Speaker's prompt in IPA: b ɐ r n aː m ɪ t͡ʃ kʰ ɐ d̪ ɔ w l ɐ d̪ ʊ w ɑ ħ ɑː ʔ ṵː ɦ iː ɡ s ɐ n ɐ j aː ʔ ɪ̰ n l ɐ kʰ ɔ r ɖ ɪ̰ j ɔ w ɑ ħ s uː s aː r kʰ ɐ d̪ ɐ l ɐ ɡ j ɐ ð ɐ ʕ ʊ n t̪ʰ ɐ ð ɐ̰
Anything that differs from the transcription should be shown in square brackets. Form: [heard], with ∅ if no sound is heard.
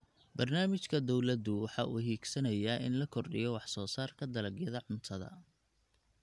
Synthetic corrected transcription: b ɐ r n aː m ɪ t͡ʃ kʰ ɐ d̪ ɔ w l ɐ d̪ ʊ w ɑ ħ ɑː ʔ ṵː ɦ iː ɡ s ɐ n ɐ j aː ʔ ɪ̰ n l ɐ kʰ ɔ r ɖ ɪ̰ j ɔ w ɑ ħ s [ɔː] s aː r kʰ ɐ d̪ ɐ l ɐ ɡ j ɐ ð ɐ ʕ ʊ n t̪ʰ ɐ ð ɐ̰